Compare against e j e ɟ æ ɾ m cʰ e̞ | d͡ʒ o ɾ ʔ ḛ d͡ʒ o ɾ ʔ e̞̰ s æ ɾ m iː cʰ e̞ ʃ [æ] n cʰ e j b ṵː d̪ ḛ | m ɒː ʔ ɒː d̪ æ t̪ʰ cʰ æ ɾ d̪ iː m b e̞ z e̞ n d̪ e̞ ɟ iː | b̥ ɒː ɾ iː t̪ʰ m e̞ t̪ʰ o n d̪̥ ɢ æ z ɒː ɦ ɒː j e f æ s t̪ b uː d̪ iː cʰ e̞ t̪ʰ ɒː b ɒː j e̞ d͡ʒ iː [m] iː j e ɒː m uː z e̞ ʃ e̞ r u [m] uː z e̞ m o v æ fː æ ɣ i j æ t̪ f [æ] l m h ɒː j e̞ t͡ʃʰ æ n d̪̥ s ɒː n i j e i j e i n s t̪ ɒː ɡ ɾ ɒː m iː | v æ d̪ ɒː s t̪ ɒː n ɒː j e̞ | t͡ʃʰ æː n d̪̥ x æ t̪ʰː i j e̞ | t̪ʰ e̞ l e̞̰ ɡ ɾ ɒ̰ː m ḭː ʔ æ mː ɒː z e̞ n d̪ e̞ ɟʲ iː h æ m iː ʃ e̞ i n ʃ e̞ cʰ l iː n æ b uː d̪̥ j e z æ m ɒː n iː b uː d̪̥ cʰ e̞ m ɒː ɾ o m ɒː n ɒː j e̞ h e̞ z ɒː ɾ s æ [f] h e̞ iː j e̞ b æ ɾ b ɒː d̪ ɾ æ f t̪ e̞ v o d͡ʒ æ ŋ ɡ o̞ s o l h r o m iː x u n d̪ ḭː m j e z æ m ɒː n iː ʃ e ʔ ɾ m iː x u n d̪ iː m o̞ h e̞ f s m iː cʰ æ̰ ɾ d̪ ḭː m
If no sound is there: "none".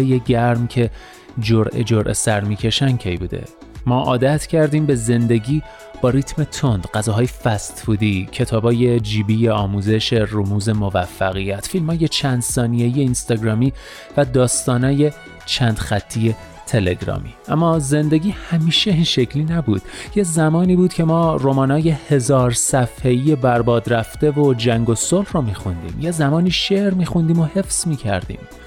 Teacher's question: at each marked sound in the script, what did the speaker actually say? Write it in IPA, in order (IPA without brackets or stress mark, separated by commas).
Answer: æ, b, m, i, f